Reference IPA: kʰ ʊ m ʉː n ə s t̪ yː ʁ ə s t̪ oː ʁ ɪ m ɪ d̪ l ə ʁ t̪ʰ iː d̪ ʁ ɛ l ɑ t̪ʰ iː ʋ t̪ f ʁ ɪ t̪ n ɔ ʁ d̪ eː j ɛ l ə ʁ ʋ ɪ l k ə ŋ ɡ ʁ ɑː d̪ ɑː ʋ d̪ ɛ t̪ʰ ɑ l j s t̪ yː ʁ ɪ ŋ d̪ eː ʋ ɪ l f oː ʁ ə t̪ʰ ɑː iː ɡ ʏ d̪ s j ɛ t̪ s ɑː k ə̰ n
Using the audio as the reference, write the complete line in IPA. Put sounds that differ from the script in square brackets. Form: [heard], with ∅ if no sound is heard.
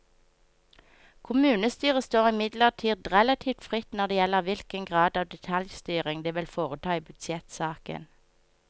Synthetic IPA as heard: kʰ ʊ m ʉː n ə s t̪ yː ʁ ə s t̪ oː ʁ ɪ m ɪ d̪ l ə ʁ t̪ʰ iː d̪ ʁ ɛ l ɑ t̪ʰ iː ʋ t̪ f ʁ ɪ t̪ n ɔ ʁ d̪ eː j ɛ l ə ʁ ʋ ɪ l k ə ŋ ɡ ʁ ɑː d̪ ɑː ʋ d̪ ɛ t̪ʰ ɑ l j s t̪ yː ʁ ɪ ŋ d̪ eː ʋ ɪ l f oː ʁ ə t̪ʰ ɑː iː [b] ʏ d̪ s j ɛ t̪ s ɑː k ə̰ n